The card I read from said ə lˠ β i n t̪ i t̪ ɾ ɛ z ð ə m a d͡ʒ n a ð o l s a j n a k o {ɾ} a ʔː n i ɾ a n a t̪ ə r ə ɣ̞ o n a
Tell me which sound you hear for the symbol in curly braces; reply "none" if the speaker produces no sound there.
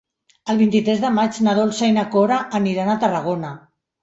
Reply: ɾ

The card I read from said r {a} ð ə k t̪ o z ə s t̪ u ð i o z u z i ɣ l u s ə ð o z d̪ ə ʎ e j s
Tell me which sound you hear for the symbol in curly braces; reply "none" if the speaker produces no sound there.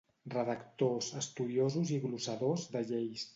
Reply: ə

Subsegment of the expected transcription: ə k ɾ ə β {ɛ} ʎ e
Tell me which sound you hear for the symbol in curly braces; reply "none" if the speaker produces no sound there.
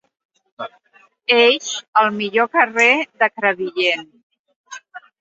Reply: i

